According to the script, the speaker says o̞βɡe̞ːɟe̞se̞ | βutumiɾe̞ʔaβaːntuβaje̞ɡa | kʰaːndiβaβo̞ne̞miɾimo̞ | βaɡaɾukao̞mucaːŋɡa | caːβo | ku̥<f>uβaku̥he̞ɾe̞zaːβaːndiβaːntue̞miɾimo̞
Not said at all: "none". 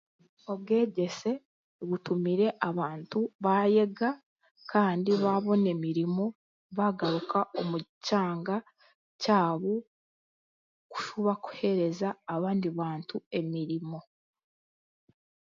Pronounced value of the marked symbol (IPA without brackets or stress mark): ʃ